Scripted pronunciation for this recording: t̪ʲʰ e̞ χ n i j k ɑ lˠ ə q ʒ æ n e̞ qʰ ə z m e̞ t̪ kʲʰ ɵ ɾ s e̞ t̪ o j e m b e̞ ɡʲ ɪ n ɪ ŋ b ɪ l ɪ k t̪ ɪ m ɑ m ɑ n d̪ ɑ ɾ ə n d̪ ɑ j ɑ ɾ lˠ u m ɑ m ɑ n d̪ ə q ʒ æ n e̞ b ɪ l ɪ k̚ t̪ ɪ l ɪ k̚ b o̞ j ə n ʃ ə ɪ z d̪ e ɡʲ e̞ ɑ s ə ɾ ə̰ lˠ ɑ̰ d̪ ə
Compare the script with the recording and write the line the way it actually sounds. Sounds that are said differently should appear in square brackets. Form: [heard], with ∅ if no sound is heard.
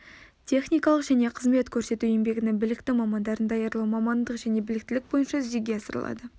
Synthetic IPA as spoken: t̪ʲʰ e̞ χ n i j k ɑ lˠ ə q ʒ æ n e̞ qʰ ə z m e̞ t̪ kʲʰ ɵ ɾ s e̞ t̪ [u] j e m b e̞ ɡʲ ɪ n ɪ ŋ b ɪ l ɪ k t̪ ɪ m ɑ m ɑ n d̪ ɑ ɾ ə n d̪ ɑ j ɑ ɾ lˠ u m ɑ m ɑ n d̪ ə q ʒ æ n e̞ b ɪ l ɪ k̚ t̪ ɪ l ɪ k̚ b o̞ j ə n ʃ [ɑ] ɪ z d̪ e ɡʲ e̞ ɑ s ə ɾ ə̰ lˠ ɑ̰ d̪ ə